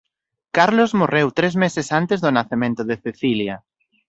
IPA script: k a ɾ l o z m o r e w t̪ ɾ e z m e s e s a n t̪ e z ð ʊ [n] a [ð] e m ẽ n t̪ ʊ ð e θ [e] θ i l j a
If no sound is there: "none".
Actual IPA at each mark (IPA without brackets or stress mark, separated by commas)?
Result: n, θ, e